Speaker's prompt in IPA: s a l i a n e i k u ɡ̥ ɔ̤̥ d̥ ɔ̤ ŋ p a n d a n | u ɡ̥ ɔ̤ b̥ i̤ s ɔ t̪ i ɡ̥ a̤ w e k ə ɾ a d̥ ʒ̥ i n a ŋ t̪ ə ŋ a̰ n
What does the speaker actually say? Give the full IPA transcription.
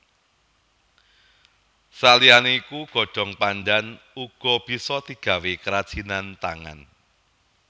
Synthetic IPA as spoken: s a l i a n e i k u ɡ̥ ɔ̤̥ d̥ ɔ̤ ŋ p a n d a n | u ɡ̥ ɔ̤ b̥ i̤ s ɔ t̪ i ɡ̥ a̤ w e k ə ɾ a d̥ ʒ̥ i n a n t̪ a ŋ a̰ n